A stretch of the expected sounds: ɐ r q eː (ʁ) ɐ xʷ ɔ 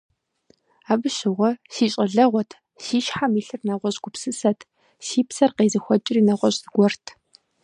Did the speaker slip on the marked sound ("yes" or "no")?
yes